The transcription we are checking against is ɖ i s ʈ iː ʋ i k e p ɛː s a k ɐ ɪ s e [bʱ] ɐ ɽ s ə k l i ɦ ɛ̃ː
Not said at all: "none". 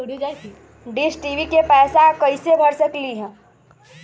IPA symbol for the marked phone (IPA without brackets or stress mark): bʱ